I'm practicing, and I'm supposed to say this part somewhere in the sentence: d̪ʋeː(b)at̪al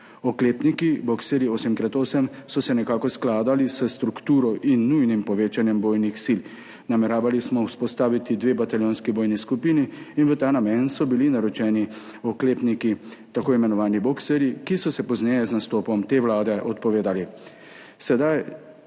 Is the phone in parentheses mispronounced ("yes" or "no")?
no